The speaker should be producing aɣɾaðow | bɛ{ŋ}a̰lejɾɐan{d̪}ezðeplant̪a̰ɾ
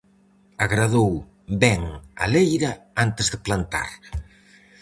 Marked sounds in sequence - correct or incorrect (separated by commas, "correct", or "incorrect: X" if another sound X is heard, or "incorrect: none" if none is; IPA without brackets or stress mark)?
correct, incorrect: t̪